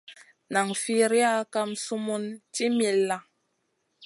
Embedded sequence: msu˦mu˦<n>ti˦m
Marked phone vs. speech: correct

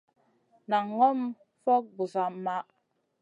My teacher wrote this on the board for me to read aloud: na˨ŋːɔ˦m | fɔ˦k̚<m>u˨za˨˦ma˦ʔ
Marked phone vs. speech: incorrect: b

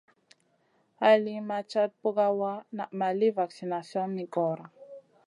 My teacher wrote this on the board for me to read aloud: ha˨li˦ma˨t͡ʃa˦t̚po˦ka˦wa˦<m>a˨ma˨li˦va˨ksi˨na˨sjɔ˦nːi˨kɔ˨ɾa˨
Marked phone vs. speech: incorrect: n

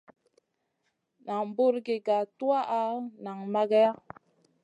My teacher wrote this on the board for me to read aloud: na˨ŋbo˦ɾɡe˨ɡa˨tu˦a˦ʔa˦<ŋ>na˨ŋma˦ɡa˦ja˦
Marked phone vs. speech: incorrect: none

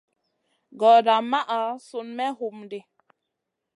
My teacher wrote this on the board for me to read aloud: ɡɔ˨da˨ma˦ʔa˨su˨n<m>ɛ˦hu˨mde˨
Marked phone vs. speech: correct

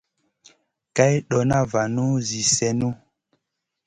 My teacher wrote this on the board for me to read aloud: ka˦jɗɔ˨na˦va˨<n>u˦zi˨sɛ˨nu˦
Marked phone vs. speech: correct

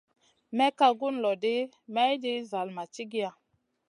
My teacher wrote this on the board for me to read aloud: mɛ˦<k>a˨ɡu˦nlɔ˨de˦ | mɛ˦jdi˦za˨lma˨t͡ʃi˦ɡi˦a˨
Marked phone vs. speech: correct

